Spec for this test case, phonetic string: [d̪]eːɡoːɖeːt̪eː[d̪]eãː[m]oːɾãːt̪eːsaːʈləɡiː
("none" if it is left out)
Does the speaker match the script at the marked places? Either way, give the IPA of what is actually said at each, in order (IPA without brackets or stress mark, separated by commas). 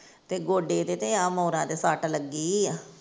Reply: t̪, t̪, m